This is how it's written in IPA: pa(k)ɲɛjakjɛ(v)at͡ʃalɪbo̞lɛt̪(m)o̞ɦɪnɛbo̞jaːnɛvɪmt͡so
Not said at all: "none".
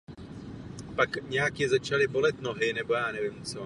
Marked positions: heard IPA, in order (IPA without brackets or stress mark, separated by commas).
k, z, n